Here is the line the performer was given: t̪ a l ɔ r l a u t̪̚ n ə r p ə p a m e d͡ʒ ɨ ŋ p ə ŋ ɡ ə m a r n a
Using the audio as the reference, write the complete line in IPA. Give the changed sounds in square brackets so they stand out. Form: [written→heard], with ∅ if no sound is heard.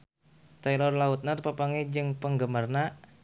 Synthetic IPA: t̪ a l ɔ r l a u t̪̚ n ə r p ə p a [m→ŋ] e d͡ʒ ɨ ŋ p ə ŋ ɡ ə m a r n a

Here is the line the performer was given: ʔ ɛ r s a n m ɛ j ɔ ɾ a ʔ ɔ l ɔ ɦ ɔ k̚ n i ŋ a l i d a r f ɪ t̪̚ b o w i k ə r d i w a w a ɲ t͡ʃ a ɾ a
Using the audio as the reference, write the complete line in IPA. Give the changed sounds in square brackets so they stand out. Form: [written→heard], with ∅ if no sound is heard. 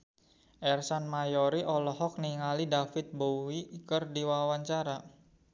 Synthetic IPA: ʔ ɛ r s a n m [ɛ→a] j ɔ ɾ [a→i] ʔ ɔ l ɔ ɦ ɔ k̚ n i ŋ a l i d a [r→∅] f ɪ t̪̚ b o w i k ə r d i w a w a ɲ t͡ʃ a ɾ a

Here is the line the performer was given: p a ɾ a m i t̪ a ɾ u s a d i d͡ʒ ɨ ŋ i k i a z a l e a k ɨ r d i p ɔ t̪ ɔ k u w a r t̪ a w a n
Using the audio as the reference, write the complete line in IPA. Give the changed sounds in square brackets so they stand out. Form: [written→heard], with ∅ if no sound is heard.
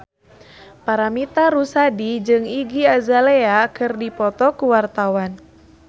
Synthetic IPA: p a ɾ a m i t̪ a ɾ u s a d i d͡ʒ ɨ ŋ i [k→ɡ] i a z a l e a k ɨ r d i p ɔ t̪ ɔ k u w a r t̪ a w a n

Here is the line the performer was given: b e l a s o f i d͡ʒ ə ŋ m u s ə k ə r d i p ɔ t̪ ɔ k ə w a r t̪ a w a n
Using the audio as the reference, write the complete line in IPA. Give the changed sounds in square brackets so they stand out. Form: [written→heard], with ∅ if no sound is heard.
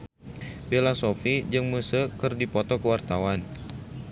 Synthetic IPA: b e l a s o f i d͡ʒ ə ŋ m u s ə k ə r d i p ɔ t̪ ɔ k ə w a r t̪ a w a n

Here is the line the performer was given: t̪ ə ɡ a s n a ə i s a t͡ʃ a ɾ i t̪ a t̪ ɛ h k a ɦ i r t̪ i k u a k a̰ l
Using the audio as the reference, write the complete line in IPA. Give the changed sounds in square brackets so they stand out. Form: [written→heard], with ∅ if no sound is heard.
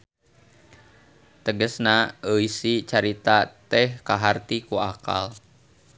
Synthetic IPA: t̪ ə ɡ [a→ə] s n a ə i s [a→i] t͡ʃ a ɾ i t̪ a t̪ ɛ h k a ɦ [i→a] r t̪ i k u a k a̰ l

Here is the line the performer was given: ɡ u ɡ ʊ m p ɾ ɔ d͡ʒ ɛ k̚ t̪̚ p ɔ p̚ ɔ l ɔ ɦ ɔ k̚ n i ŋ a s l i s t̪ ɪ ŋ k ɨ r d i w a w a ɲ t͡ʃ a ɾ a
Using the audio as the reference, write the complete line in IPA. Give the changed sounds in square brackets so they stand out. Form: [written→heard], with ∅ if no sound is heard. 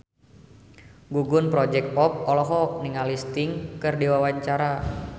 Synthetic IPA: ɡ u ɡ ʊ [m→n] p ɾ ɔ d͡ʒ ɛ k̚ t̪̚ p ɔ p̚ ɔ l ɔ ɦ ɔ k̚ n i ŋ a [s→∅] l i s t̪ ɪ ŋ k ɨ r d i w a w a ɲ t͡ʃ a ɾ a

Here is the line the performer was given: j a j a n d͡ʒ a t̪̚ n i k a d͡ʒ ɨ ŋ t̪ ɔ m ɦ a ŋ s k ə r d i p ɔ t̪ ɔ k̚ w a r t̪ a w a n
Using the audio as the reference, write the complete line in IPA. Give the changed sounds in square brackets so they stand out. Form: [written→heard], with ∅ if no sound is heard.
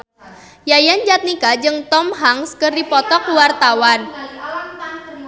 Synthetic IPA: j a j a n d͡ʒ a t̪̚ n i k a d͡ʒ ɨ ŋ t̪ ɔ m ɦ a ŋ s k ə r d i p ɔ t̪ ɔ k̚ w a r t̪ a w a n

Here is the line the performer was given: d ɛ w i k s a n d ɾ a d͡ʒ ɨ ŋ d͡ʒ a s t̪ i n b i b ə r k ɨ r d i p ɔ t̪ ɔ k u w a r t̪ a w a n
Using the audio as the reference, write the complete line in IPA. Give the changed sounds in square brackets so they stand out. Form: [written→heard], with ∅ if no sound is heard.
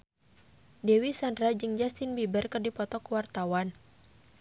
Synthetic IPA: d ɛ w i [k→∅] s a n d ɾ a d͡ʒ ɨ ŋ d͡ʒ a s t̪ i n b i b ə r k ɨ r d i p ɔ t̪ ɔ k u w a r t̪ a w a n

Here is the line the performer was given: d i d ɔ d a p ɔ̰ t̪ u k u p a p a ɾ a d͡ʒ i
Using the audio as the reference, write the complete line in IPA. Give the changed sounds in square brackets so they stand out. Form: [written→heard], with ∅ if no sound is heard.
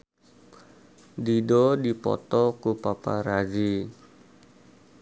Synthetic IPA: d i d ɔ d [a→i] p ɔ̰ t̪ [u→ɔ] k u p a p a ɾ a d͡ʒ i

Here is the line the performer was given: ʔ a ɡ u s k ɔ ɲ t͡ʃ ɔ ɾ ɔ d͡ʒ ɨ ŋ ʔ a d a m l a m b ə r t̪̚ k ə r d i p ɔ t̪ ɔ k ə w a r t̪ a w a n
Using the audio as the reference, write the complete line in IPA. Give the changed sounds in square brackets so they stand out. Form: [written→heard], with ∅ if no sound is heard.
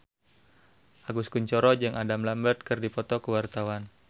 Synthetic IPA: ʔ a ɡ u s k [ɔ→u] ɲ t͡ʃ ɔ ɾ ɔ d͡ʒ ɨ ŋ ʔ a d a m l a m b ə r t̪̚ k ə r d i p ɔ t̪ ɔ k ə w a r t̪ a w a n

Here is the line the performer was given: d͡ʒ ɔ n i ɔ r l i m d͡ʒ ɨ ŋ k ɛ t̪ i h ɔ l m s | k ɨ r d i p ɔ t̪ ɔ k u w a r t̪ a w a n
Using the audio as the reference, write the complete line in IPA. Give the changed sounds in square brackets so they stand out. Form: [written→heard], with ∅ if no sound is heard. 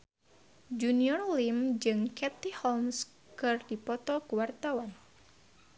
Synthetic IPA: d͡ʒ [ɔ→u] n i ɔ r l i m d͡ʒ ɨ ŋ k ɛ t̪ i h ɔ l m s | k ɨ r d i p ɔ t̪ ɔ k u w a r t̪ a w a n

